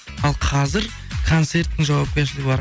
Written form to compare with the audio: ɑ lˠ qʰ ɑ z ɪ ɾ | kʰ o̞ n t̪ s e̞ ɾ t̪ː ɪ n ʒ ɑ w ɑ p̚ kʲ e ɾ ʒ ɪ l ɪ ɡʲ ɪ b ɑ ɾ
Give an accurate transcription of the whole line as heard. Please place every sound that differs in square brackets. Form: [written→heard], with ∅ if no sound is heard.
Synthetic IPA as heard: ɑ lˠ qʰ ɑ z ɪ ɾ | kʰ o̞ n t̪ s e̞ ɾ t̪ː ɪ [n→ŋ] ʒ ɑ w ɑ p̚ kʲ e ɾ [ʒ→ʃ] ɪ l ɪ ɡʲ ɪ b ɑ ɾ